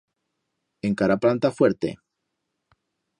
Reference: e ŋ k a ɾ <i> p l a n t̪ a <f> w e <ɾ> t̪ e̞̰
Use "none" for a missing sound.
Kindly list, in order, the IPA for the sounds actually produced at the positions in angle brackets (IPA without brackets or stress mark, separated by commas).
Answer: a, f, ɾ